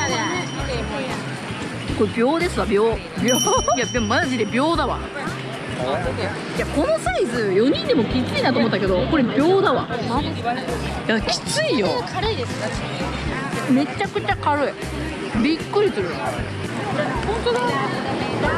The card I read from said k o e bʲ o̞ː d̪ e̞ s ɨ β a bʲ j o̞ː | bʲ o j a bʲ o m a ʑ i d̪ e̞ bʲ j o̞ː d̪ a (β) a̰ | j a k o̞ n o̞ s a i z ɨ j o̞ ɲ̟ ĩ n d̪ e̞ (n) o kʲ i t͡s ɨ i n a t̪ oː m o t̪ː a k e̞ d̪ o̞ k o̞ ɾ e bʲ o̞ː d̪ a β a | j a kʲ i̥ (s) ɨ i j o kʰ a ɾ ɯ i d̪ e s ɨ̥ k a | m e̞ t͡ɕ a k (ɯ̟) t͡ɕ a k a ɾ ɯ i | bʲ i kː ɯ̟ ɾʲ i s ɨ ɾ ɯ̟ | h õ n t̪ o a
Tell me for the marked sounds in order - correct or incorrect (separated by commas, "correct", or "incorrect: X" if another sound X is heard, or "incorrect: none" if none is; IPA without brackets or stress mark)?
correct, incorrect: m, incorrect: t͡s, correct